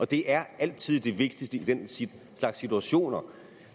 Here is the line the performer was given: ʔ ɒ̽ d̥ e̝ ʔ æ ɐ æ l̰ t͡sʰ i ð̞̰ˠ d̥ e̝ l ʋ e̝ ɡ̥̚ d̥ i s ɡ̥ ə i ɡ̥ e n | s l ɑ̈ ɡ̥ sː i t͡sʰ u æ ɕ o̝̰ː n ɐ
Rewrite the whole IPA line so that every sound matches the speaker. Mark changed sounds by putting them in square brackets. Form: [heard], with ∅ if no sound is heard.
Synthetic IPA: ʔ ɒ̽ d̥ e̝ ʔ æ ɐ æ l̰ t͡sʰ i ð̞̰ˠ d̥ e̝ [∅] ʋ e̝ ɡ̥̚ d̥ i s [d̥] ə i [d̥] e n | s l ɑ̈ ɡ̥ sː i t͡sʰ u æ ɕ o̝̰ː n ɐ